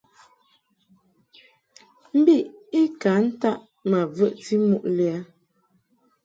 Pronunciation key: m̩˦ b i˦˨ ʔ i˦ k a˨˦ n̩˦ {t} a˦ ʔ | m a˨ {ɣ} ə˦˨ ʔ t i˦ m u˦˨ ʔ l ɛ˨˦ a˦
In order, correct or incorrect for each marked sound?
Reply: correct, incorrect

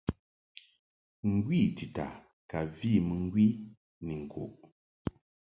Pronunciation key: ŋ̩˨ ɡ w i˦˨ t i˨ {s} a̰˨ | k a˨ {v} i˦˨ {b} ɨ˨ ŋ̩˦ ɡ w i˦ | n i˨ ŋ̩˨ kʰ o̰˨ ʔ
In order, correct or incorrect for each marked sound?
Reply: incorrect, correct, incorrect

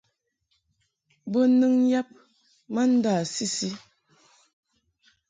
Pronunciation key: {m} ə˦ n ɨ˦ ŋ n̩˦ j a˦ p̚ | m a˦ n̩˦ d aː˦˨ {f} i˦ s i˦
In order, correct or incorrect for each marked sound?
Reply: incorrect, incorrect

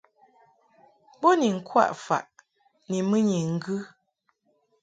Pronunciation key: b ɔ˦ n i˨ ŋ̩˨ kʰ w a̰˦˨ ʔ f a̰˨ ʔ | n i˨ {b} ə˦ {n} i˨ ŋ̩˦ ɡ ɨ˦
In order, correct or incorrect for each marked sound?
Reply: incorrect, incorrect

